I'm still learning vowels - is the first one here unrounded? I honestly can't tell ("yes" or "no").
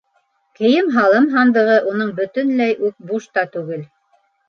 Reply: yes